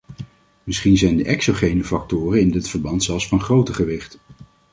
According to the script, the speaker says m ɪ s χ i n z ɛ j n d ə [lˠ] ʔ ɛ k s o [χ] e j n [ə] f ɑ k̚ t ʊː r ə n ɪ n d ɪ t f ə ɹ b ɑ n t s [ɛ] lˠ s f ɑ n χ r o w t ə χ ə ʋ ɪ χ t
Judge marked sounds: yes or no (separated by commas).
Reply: no, yes, yes, yes